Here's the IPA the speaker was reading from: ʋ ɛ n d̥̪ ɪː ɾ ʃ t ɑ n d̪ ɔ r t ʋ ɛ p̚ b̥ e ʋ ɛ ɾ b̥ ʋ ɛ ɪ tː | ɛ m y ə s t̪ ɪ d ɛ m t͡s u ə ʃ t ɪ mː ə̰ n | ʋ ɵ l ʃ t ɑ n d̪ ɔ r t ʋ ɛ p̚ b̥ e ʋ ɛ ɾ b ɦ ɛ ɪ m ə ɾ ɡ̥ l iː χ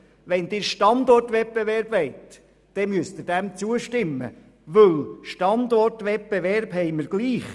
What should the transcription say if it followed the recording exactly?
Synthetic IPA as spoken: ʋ ɛ n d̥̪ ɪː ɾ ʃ t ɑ n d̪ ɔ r t ʋ ɛ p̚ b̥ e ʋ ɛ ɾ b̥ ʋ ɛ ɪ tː | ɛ m y ə s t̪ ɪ d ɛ m t͡s u ə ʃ t ɪ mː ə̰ | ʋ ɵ l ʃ t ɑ n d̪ ɔ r t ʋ ɛ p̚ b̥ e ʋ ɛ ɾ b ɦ ɛ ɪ m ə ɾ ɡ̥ l iː χ